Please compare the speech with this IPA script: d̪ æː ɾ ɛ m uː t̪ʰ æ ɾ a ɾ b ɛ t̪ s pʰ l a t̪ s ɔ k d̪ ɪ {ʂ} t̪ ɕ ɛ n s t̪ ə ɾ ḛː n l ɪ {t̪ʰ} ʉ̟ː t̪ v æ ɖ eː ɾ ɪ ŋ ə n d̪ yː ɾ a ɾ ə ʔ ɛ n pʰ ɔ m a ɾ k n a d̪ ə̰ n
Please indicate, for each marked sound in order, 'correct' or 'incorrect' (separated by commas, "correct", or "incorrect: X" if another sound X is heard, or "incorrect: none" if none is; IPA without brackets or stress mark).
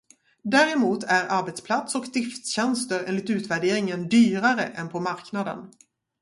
incorrect: f, incorrect: t̪